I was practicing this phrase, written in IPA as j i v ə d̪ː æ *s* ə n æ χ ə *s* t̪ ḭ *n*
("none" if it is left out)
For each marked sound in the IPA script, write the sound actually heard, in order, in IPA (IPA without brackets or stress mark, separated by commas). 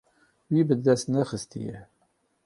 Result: s, s, none